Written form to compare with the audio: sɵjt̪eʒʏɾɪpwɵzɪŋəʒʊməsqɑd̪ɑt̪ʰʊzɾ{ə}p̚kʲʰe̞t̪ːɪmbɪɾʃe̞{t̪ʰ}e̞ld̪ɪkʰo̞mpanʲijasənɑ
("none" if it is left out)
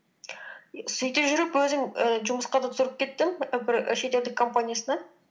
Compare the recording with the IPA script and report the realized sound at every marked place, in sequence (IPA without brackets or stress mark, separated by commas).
ə, t̪